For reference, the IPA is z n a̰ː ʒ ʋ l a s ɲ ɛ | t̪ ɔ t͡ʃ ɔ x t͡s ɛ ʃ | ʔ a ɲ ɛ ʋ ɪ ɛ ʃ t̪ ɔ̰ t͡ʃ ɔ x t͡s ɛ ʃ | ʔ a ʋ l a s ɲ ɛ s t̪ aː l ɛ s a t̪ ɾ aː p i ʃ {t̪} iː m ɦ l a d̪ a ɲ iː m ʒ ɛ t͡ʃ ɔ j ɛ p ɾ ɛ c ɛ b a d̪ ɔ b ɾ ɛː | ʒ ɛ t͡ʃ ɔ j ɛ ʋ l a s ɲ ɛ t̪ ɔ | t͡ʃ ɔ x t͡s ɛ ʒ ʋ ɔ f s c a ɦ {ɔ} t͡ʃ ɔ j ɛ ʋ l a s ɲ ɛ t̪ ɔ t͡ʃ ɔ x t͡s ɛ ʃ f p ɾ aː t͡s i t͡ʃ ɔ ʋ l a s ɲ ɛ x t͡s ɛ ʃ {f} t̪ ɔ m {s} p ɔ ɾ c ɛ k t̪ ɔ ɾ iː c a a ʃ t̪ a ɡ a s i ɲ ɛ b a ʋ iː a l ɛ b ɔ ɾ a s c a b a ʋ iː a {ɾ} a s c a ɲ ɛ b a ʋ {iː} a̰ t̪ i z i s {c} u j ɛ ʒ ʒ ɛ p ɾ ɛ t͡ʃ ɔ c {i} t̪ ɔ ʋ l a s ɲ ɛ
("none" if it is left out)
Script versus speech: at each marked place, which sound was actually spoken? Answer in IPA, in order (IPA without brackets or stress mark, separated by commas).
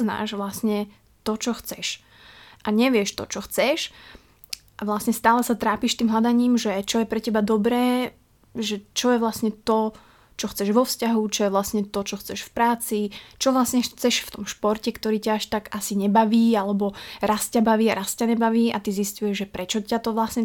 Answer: t̪, u, f, ʃ, ɾ, iː, c, a